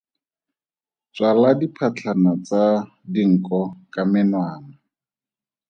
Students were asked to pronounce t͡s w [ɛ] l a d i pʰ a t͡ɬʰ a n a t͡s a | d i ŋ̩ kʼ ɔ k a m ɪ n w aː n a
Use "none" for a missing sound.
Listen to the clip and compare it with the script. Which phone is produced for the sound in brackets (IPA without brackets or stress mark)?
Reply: a